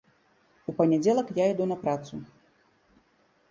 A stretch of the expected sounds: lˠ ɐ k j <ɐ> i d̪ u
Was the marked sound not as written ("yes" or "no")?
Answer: yes